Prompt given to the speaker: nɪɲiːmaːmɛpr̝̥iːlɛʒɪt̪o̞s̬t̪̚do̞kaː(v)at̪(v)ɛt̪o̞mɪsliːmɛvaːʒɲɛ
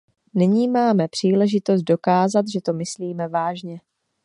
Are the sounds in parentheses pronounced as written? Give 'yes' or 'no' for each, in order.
no, no

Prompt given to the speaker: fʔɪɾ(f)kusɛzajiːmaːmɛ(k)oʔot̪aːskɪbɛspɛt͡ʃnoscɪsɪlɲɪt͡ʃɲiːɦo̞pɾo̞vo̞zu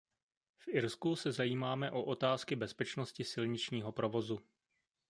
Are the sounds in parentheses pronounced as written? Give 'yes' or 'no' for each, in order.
no, no

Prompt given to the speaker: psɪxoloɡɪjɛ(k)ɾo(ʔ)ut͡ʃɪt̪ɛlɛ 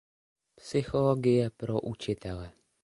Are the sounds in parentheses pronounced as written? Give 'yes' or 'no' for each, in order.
no, yes

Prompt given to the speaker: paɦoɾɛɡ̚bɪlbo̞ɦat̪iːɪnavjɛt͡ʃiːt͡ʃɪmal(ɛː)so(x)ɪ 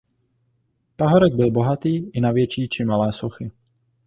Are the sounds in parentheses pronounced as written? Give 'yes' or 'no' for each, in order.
yes, yes

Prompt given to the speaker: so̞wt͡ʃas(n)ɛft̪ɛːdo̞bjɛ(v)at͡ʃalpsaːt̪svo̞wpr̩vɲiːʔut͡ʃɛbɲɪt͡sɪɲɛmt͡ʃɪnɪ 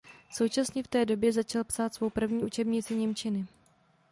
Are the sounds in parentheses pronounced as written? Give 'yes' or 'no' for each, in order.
no, no

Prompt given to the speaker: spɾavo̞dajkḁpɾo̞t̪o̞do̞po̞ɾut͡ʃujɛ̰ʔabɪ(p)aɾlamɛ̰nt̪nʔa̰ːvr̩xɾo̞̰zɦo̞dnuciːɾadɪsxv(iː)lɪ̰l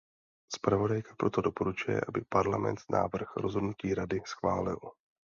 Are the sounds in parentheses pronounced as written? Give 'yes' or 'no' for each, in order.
yes, no

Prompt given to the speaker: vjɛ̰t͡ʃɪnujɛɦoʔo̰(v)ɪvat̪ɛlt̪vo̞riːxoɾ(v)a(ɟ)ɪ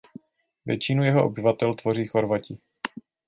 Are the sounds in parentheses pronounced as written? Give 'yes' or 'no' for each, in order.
no, yes, no

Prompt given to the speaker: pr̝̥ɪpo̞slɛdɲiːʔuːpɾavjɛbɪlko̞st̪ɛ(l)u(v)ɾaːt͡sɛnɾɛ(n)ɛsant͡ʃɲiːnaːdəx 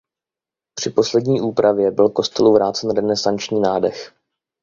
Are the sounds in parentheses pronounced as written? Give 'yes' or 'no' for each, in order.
yes, yes, yes

